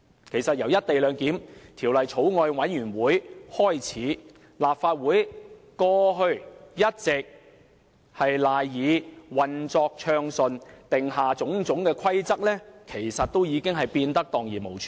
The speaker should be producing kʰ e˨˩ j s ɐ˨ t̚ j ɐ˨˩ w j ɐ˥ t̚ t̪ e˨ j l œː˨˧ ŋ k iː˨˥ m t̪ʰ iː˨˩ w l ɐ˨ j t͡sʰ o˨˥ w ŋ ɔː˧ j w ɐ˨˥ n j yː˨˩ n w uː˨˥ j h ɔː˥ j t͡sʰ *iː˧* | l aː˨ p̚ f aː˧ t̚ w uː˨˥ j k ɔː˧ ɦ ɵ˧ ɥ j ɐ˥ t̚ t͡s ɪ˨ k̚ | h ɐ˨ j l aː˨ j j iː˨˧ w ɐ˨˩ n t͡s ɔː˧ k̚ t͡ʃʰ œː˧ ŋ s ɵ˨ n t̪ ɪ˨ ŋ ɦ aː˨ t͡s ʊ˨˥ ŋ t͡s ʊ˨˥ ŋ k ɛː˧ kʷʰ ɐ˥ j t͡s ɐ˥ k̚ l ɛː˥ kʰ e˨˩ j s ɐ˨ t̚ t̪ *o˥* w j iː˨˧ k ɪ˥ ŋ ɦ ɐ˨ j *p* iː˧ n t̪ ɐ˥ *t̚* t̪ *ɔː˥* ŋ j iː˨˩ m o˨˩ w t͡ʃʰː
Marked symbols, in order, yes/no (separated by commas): no, yes, yes, no, no